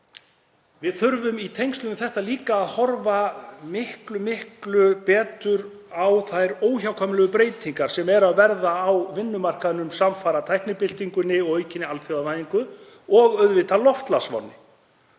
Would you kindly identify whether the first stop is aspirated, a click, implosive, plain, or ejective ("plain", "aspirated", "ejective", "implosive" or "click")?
aspirated